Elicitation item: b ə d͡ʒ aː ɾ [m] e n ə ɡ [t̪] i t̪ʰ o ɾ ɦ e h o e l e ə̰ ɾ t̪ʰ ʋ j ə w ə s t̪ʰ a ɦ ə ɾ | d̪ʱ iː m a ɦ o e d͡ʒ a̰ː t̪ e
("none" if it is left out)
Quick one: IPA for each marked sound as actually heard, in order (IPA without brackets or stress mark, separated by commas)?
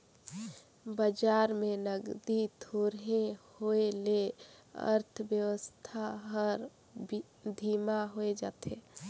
m, d̪